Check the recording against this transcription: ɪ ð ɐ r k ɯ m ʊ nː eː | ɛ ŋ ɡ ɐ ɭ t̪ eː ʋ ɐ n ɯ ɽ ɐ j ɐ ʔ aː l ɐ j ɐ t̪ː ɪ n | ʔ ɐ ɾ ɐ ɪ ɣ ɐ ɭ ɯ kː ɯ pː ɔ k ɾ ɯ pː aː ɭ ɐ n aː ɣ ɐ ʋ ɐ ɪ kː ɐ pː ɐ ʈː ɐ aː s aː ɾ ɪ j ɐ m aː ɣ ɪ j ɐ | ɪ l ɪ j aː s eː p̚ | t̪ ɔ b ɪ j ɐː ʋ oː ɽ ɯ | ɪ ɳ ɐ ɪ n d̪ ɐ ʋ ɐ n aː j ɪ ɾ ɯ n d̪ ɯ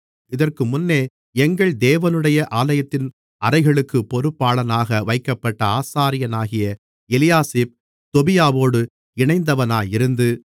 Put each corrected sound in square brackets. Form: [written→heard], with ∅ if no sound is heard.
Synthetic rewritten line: ɪ ð ɐ r k ɯ m ʊ nː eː | ɛ ŋ ɡ ɐ ɭ [t̪→d̪] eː ʋ ɐ n ɯ ɽ ɐ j ɐ ʔ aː l ɐ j ɐ t̪ː ɪ n | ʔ ɐ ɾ ɐ ɪ ɣ ɐ ɭ ɯ kː ɯ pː ɔ [k→∅] ɾ ɯ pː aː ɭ ɐ n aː ɣ ɐ ʋ ɐ ɪ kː ɐ pː ɐ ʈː ɐ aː s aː ɾ ɪ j ɐ [m→n] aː ɣ ɪ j ɐ | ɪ l ɪ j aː s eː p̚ | t̪ ɔ b ɪ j [ɐː→aː] ʋ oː ɽ ɯ | ɪ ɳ ɐ ɪ n d̪ ɐ ʋ ɐ n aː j ɪ ɾ ɯ n d̪ ɯ